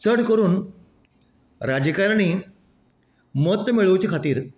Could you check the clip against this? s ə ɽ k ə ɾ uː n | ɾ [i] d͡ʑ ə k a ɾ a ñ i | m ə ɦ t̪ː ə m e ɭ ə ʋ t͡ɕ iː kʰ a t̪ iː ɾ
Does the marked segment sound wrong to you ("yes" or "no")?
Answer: yes